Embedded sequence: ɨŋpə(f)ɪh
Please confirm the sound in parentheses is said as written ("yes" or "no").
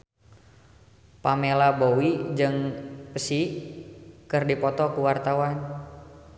no